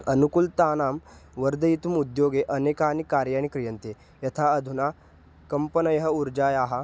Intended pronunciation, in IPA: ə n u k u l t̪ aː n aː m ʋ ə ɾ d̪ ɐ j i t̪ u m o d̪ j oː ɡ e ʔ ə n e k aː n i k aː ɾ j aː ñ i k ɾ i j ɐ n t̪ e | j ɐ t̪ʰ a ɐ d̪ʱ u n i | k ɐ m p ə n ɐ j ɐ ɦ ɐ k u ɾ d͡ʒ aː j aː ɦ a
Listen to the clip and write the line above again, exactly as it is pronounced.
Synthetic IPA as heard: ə n u k u l t̪ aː n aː m ʋ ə ɾ d̪ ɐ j i t̪ u m u d̪ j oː ɡ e ʔ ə n e k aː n i k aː ɾ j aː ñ i k ɾ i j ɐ n t̪ e | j ɐ t̪ʰ a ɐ d̪ʱ u n a | k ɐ m p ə n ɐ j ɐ ɦ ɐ u ɾ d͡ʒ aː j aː ɦ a